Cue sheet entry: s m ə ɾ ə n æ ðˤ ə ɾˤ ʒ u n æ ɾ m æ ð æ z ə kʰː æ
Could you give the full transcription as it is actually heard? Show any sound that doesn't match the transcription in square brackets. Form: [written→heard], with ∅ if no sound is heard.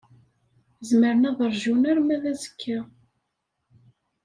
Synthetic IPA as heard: [s→z] m ə ɾ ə n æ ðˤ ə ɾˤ ʒ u n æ ɾ m æ ð æ z ə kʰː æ